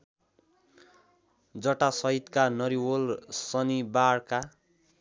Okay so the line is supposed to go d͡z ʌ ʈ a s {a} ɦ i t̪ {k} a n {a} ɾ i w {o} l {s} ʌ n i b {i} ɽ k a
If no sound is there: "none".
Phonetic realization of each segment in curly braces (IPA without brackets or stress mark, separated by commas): ʌ, k, ʌ, o, s, a